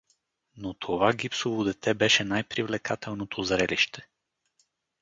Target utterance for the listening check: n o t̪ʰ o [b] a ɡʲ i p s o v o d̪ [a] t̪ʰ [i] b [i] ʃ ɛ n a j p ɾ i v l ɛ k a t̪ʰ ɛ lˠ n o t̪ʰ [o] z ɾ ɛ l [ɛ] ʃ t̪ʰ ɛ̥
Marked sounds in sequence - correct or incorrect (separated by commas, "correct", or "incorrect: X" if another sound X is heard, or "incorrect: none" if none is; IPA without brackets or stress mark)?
incorrect: v, incorrect: ɛ, incorrect: ɛ, incorrect: ɛ, correct, incorrect: i